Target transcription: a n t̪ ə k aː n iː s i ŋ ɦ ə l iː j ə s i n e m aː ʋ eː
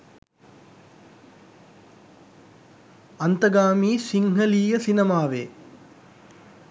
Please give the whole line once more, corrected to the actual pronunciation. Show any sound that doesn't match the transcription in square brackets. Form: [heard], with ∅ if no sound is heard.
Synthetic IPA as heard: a n t̪ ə [ɡ] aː [m] iː s i ŋ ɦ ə l iː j ə s i n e m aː ʋ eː